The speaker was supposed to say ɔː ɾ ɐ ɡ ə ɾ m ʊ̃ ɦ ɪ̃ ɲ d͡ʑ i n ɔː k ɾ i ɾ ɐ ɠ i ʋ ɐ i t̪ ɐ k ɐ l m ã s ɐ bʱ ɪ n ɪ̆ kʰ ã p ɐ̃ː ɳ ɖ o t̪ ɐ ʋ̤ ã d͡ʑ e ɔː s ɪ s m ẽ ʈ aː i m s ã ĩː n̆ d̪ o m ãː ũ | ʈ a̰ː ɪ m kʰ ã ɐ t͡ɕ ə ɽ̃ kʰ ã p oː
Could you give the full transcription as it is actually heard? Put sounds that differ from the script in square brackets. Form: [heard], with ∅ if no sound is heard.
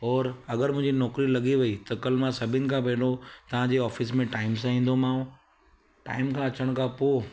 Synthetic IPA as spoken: ɔː ɾ ɐ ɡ ə ɾ m ʊ̃ ɦ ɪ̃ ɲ d͡ʑ i n ɔː k ɾ i [l] ɐ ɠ i ʋ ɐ i t̪ ɐ k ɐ l m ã s ɐ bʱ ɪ n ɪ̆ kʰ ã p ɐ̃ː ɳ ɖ o t̪ ɐ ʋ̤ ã d͡ʑ e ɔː [f] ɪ s m ẽ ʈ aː [ɪ] m s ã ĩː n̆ d̪ o m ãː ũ | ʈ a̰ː ɪ m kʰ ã ɐ t͡ɕ ə ɽ̃ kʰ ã p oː